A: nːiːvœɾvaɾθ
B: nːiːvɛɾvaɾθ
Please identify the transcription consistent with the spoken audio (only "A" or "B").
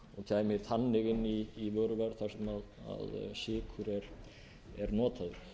A